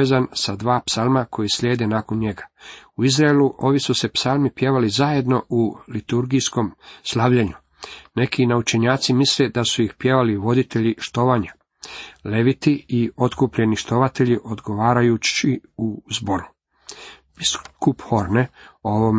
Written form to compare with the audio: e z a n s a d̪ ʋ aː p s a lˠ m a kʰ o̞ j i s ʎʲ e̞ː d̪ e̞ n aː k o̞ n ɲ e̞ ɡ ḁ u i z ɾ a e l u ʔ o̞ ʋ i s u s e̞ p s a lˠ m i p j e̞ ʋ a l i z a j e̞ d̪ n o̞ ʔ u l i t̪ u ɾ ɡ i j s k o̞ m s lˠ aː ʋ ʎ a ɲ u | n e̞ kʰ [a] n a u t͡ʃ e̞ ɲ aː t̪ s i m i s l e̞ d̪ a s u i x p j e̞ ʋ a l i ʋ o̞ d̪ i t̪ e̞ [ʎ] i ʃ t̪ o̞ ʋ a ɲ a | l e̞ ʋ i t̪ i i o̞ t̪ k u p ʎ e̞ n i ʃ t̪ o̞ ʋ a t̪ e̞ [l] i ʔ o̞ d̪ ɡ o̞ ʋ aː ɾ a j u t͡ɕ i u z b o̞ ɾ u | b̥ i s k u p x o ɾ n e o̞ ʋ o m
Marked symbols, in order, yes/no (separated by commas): no, yes, no